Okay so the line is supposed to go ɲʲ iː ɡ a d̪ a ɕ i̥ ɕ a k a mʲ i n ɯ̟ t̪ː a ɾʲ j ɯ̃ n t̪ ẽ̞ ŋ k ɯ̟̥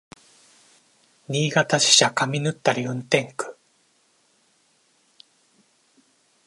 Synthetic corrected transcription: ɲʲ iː ɡ a t̪ a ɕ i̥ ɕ a k a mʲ i n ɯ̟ t̪ː a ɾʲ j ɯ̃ n t̪ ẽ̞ ŋ k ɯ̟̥